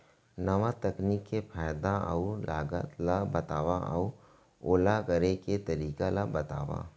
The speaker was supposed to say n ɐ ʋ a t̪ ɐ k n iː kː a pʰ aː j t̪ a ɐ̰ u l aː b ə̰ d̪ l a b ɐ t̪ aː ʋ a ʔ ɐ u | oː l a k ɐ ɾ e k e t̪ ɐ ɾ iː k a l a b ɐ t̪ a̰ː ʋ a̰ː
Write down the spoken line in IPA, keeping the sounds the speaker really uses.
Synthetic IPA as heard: n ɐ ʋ a t̪ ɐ k n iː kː e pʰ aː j d̪ a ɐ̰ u l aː ɡ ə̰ t̪ l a b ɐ t̪ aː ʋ a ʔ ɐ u | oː l a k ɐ ɾ e k e t̪ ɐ ɾ iː k a l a b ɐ t̪ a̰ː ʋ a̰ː